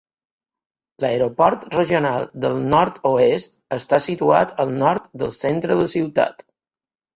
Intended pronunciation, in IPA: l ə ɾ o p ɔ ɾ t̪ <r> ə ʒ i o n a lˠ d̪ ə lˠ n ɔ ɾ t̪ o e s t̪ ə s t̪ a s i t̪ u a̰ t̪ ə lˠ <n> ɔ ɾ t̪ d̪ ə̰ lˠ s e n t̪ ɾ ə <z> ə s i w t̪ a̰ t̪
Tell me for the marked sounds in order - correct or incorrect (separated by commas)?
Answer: correct, correct, incorrect